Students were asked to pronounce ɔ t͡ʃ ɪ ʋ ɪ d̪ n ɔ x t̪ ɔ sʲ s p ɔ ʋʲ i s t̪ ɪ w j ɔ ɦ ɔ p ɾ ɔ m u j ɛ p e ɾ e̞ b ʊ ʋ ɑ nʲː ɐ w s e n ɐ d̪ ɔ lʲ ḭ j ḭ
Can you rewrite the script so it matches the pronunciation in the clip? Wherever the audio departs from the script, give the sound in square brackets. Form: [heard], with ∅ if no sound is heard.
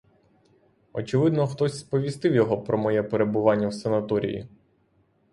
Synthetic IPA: ɔ t͡ʃ ɪ ʋ ɪ d̪ n ɔ x t̪ ɔ sʲ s p ɔ ʋʲ i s t̪ ɪ w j ɔ ɦ ɔ p ɾ ɔ m [ɔ] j ɛ p e ɾ e̞ b ʊ ʋ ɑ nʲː ɐ w s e n ɐ [t̪] ɔ [ɾʲ] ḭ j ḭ